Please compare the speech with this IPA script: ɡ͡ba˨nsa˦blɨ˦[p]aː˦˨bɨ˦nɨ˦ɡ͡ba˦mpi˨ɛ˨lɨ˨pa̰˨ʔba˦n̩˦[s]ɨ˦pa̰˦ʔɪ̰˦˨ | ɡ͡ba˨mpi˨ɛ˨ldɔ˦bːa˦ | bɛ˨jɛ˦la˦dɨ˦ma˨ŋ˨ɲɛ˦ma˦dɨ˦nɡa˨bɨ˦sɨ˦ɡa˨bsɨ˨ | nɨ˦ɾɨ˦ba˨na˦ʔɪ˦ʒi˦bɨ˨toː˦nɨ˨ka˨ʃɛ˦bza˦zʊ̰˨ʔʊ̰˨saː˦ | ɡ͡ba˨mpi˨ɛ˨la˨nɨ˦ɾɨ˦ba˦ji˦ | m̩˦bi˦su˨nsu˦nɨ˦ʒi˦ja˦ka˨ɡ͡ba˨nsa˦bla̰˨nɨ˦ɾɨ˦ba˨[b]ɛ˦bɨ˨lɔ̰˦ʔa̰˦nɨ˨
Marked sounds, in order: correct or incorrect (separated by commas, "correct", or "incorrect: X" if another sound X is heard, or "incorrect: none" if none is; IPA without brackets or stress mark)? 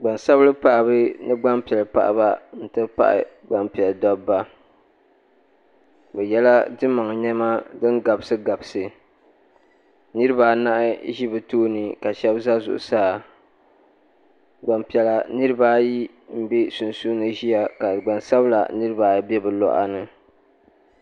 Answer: correct, incorrect: t, correct